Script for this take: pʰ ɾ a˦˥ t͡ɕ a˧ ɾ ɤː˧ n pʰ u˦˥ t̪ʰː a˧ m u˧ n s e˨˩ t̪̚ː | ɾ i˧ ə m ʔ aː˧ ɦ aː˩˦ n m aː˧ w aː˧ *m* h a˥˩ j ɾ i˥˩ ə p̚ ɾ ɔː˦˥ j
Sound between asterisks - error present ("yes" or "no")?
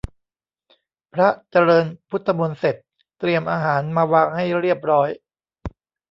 yes